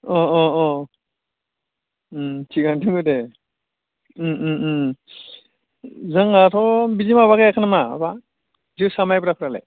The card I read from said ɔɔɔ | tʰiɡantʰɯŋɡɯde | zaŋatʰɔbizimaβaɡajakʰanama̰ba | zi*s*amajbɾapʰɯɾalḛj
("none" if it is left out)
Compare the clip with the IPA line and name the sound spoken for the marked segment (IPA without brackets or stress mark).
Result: s